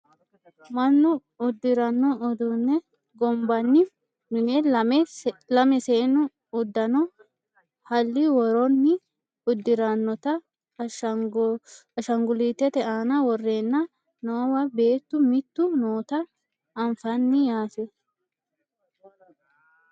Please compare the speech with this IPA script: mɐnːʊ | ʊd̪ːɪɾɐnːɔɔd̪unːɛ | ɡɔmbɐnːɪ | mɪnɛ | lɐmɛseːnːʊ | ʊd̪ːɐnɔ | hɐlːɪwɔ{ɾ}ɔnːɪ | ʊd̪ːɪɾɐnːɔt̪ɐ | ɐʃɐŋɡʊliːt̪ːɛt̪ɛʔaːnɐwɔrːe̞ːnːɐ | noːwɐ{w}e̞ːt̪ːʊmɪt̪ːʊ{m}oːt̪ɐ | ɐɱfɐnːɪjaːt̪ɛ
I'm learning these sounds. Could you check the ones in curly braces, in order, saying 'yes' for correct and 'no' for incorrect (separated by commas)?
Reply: yes, no, no